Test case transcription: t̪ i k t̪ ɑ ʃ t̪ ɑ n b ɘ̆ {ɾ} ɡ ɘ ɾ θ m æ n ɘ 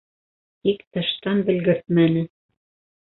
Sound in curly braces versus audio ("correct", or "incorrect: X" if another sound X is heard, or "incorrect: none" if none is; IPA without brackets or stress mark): incorrect: l